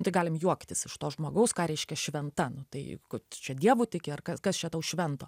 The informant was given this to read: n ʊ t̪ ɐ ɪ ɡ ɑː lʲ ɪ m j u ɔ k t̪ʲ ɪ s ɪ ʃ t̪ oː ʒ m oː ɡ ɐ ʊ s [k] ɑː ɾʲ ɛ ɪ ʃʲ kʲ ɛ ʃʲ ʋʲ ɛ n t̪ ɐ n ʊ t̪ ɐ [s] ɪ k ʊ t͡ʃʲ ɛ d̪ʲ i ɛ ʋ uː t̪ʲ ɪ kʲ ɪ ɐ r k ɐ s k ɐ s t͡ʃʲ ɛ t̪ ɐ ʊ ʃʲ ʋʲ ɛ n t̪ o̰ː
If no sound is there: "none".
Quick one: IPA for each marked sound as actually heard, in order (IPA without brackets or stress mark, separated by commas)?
k, none